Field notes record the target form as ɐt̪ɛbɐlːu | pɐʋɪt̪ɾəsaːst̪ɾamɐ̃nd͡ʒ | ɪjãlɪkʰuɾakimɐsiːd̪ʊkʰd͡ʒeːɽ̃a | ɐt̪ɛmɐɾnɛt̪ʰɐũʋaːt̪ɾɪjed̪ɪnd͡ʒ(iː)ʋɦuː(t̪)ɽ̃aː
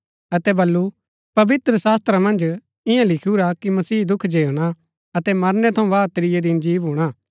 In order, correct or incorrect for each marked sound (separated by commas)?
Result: correct, incorrect